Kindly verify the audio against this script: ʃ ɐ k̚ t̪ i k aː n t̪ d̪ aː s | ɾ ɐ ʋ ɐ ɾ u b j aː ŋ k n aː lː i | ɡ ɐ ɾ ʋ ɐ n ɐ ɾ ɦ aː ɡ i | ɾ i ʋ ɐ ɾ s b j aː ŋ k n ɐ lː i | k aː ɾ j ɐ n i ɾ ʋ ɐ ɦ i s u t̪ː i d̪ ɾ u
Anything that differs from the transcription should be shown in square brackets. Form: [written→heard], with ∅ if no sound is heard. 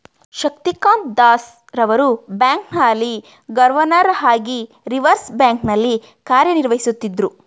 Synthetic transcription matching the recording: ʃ ɐ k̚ t̪ i k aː n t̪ d̪ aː s | ɾ ɐ ʋ ɐ ɾ u b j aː ŋ k n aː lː i | ɡ ɐ ɾ ʋ ɐ n ɐ ɾ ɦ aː ɡ i | ɾ i ʋ ɐ ɾ s b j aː ŋ k n ɐ lː i | k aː ɾ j ɐ n i ɾ ʋ ɐ ɦ i s u t̪ː i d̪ ɾ u